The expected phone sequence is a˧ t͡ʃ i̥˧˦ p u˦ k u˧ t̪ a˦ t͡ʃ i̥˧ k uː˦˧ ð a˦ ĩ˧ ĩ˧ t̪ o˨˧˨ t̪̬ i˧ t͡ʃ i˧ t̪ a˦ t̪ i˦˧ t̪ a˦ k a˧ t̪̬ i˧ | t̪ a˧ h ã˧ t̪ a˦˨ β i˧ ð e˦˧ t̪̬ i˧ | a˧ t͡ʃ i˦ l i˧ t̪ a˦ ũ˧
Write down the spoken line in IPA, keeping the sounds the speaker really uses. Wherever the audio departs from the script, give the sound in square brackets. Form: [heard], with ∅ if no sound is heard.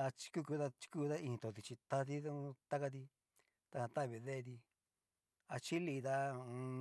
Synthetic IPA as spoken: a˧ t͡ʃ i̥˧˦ [k] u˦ k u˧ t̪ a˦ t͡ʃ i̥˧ k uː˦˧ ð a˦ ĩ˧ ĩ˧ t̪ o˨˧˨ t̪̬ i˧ t͡ʃ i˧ t̪ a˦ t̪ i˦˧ t̪ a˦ k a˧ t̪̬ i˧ | t̪ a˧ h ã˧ t̪ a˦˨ β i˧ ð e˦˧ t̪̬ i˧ | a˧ t͡ʃ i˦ l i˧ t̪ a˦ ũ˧

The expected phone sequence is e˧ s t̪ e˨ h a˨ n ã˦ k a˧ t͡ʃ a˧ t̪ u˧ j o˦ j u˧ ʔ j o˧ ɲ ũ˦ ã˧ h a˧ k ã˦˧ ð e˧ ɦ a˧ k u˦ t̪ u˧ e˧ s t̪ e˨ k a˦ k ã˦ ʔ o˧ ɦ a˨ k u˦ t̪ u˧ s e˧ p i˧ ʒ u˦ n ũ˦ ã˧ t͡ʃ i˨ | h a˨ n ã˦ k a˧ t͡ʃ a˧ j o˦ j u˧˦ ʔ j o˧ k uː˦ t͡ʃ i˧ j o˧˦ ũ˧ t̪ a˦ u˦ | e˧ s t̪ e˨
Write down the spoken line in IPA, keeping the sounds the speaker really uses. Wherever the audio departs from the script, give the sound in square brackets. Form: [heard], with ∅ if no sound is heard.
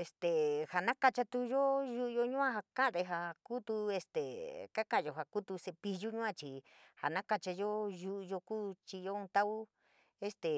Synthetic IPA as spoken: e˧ s t̪ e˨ h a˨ n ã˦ k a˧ t͡ʃ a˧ t̪ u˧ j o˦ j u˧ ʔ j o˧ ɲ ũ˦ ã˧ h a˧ k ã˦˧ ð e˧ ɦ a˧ k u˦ t̪ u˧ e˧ s t̪ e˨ k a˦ k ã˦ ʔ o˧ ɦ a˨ k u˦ t̪ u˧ s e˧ p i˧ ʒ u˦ [ɲ] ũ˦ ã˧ t͡ʃ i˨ | h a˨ n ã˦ k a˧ t͡ʃ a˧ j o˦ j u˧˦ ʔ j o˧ k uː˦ t͡ʃ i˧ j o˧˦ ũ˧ t̪ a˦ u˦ | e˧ s t̪ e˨

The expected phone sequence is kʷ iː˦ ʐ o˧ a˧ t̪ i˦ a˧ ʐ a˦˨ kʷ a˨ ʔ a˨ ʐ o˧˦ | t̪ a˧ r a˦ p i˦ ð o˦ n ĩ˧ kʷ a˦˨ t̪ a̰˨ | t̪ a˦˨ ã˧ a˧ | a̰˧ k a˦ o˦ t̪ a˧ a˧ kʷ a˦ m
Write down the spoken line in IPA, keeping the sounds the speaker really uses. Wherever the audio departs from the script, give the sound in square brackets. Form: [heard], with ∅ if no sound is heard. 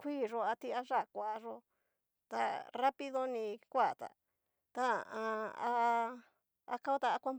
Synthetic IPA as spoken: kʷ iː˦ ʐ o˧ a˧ t̪ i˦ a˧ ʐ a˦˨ kʷ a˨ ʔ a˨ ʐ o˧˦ | t̪ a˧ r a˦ p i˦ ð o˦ n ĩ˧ kʷ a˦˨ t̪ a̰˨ | t̪ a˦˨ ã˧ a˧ | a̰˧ k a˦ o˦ t̪ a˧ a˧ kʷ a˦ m

